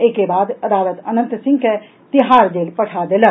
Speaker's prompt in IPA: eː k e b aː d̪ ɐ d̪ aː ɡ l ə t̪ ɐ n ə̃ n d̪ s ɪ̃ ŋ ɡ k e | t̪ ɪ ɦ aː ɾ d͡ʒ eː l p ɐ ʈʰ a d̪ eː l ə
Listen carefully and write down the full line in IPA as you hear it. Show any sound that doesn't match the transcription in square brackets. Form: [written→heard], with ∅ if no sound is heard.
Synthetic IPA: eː k e b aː d̪ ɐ d̪ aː [ɡ→∅] l ə t̪ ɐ n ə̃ n [d̪→t̪] s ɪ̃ ŋ ɡ k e | t̪ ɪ ɦ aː ɾ d͡ʒ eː l p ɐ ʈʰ a d̪ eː l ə